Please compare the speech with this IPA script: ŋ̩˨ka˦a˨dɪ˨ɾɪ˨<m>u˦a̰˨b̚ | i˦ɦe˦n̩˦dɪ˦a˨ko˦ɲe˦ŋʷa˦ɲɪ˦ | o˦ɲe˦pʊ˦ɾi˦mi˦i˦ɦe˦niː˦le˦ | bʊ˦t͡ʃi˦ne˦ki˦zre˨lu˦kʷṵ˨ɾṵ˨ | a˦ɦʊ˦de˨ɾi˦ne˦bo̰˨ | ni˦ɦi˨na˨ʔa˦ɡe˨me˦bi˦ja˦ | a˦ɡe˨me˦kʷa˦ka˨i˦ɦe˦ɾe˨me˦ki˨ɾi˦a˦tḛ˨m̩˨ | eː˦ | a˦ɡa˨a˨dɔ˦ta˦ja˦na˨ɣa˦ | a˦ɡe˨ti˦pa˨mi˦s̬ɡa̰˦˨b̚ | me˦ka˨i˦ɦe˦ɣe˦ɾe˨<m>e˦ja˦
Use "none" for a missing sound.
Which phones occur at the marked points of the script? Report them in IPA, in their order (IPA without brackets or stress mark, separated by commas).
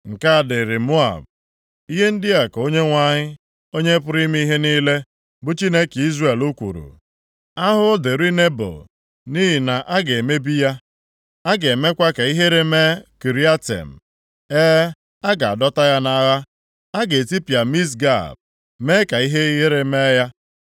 m, m